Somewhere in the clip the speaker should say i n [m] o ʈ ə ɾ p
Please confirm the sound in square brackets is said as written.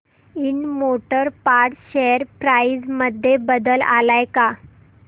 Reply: yes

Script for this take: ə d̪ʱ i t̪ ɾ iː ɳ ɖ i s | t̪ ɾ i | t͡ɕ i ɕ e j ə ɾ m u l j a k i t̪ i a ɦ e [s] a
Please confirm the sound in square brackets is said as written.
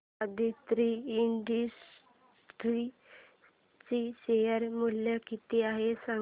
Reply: yes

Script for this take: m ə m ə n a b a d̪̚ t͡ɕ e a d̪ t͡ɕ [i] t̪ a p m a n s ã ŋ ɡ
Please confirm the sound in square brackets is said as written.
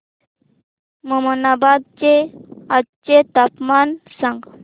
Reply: no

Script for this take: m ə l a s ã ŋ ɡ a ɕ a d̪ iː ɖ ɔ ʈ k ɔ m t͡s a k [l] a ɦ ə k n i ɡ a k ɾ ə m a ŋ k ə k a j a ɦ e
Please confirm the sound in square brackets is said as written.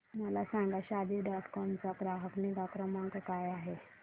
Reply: no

